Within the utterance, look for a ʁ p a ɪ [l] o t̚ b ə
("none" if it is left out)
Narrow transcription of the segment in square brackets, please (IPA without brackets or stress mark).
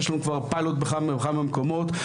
l